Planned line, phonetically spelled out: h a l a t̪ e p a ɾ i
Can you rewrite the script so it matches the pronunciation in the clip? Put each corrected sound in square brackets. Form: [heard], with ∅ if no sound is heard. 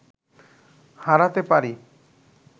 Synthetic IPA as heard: h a [ɾ] a t̪ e p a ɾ i